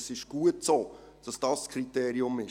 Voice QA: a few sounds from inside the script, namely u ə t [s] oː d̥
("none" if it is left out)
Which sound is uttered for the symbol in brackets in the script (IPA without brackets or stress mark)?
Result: s